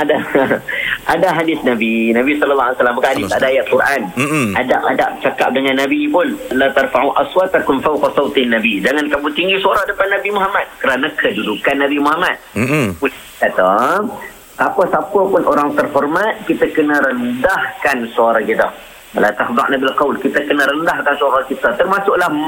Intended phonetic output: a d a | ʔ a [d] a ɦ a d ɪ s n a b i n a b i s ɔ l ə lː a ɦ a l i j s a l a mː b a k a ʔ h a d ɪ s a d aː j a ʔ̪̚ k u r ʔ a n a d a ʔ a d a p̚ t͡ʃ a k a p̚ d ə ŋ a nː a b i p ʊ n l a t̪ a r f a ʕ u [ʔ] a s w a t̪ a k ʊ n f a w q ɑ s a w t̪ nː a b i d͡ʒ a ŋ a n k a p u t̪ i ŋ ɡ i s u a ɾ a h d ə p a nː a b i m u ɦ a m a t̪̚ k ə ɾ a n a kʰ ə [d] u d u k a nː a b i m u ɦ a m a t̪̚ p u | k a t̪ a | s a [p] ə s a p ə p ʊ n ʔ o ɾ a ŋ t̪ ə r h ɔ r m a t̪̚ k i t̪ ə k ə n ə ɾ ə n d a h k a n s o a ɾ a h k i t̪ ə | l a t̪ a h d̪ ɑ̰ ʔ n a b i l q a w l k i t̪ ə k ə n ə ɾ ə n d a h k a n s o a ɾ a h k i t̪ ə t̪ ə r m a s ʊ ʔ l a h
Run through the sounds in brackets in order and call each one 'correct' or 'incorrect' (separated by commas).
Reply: correct, correct, correct, correct